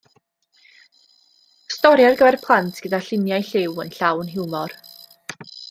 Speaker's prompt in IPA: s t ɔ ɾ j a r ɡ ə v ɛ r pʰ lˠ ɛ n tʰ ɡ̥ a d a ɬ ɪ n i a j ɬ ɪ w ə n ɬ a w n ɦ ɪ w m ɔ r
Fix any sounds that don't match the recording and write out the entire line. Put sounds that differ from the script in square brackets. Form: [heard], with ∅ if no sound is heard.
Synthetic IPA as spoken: s t ɔ ɾ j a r ɡ ə v ɛ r pʰ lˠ [a] n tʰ ɡ̥ [ə] d a ɬ ɪ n [j] a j ɬ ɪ w ə n ɬ a w n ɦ ɪ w m ɔ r